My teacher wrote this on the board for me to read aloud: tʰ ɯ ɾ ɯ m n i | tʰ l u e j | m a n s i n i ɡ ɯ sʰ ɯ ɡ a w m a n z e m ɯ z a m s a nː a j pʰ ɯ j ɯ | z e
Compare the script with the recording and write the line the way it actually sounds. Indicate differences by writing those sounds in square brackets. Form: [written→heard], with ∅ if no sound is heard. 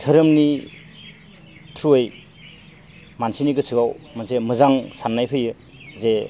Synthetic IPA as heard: tʰ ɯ ɾ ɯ m n i | tʰ [l→ɾ] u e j | m a n s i n i ɡ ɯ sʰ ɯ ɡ a w m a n [z→s] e m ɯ z a [m→ŋ] s a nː a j pʰ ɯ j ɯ | z e